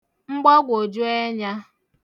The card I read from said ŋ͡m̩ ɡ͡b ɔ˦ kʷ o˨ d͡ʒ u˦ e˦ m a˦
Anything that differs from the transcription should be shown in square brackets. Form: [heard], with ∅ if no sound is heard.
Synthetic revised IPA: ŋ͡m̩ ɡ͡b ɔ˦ [ɡʷ] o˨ d͡ʒ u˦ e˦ [ɲ] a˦